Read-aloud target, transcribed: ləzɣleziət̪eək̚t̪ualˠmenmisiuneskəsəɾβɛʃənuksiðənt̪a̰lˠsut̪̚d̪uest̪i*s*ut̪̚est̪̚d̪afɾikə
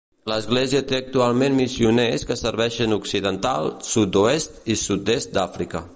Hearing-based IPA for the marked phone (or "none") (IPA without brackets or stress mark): s